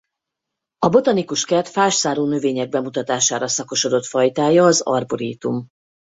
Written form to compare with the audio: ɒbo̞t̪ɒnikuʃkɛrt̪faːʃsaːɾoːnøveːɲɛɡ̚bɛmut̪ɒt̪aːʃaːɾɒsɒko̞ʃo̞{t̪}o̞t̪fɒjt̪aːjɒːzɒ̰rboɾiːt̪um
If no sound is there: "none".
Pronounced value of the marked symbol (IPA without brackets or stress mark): d̪